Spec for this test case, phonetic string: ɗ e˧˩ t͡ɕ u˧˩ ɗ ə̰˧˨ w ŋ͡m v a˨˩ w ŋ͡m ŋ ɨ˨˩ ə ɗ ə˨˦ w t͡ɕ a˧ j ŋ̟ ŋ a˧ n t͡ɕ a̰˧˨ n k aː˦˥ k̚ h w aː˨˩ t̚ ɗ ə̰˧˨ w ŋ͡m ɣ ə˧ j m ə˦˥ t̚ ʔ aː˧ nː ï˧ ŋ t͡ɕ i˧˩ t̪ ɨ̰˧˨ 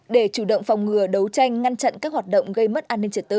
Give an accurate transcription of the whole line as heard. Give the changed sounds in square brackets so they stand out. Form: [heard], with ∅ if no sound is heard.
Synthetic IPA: ɗ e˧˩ t͡ɕ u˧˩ ɗ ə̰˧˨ w ŋ͡m [f] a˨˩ w ŋ͡m ŋ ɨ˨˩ ə ɗ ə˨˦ w t͡ɕ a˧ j ŋ̟ ŋ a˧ n t͡ɕ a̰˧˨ n k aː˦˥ k̚ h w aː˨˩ t̚ ɗ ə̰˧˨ w ŋ͡m ɣ ə˧ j m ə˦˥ t̚ ʔ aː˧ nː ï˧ ŋ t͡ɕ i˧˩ t̪ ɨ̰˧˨